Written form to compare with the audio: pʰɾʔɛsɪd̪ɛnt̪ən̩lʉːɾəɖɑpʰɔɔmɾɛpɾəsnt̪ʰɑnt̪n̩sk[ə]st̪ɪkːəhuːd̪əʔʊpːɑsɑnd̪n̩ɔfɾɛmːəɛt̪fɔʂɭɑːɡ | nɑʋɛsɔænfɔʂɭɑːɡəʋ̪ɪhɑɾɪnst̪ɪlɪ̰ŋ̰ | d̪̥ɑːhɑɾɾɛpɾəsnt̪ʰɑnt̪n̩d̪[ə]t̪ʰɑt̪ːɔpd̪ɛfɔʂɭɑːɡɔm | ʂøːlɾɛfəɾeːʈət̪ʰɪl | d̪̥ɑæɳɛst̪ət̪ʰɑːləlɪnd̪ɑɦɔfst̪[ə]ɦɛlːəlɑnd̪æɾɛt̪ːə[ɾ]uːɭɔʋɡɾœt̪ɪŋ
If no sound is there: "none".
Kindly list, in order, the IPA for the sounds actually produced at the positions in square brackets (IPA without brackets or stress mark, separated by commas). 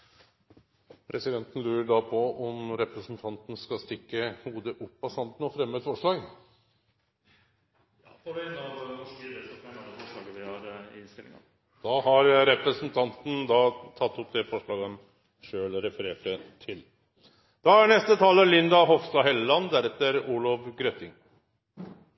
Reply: ɑ, ɑ, ɑ, ɾ